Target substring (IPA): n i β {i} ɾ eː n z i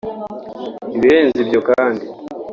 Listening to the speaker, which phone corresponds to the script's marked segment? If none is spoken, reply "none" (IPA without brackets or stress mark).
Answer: i